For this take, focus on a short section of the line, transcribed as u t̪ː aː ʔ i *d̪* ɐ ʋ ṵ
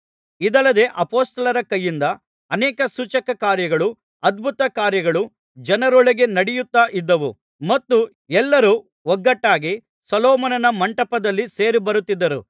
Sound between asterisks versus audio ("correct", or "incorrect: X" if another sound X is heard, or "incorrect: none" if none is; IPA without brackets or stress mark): incorrect: d̪ː